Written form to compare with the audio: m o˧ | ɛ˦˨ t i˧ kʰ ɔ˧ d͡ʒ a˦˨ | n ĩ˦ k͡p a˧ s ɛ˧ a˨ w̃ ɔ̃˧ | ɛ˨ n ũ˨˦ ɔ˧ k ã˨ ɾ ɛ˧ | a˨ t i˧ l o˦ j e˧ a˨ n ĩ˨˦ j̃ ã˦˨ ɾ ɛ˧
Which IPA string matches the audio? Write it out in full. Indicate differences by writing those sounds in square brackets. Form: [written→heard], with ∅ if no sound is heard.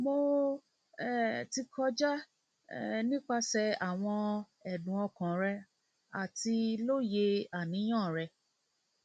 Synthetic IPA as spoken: m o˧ | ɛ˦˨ t i˧ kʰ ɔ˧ d͡ʒ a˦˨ | n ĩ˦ k͡p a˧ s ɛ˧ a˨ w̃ ɔ̃˧ | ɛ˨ [n→d] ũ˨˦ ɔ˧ k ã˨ ɾ ɛ˧ | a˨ t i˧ l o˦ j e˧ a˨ n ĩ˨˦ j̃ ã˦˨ ɾ ɛ˧